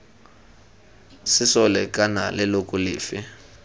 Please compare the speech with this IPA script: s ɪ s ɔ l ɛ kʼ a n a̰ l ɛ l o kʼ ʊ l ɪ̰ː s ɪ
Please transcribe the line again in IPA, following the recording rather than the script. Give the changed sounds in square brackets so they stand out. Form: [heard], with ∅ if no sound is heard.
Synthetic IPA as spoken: s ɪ s ɔ l ɛ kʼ a n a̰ l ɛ l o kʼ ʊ l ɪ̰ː [f] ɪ